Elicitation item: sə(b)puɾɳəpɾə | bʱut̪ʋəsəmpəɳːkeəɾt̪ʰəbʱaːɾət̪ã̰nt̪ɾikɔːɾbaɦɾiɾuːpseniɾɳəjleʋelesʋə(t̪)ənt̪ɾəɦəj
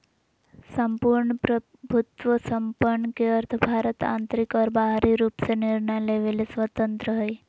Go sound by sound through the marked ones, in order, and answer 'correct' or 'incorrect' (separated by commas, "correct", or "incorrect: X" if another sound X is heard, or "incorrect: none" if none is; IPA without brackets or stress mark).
incorrect: m, correct